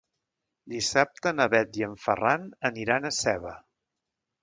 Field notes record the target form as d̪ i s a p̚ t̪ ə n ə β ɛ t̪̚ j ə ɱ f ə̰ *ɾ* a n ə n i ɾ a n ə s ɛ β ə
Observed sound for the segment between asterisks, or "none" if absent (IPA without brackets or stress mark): r